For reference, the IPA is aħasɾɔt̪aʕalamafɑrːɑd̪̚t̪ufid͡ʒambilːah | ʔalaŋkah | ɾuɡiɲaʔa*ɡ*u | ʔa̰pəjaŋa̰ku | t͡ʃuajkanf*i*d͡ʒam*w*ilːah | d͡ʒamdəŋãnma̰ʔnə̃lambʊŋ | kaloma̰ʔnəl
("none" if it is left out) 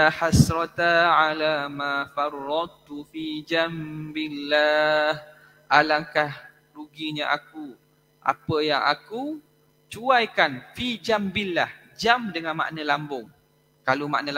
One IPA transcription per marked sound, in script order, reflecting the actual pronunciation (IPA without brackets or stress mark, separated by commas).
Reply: k, i, b